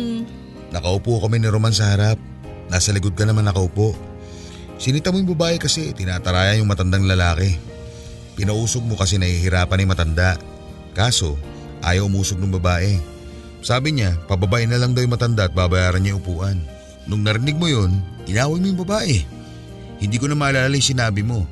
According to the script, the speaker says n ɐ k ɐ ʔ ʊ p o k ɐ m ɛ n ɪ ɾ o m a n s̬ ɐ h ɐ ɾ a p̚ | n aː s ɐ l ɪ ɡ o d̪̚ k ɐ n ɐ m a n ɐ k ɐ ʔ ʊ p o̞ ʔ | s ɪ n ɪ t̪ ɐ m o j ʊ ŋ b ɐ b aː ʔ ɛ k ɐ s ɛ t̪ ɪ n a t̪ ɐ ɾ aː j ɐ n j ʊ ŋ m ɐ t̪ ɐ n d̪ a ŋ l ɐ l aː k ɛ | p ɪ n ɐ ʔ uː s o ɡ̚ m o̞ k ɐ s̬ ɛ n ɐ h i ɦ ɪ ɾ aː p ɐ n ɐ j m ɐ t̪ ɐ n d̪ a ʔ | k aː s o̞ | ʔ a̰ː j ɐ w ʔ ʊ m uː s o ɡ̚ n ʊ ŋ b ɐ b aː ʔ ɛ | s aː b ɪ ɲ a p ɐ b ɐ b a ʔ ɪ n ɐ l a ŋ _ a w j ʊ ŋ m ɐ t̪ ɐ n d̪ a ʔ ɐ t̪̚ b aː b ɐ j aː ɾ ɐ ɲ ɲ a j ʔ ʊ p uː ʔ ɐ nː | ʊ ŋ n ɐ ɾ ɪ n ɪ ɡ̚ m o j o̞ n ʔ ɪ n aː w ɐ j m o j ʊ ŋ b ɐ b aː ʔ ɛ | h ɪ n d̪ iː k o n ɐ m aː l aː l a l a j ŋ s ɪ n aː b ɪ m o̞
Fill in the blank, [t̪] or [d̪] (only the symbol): d̪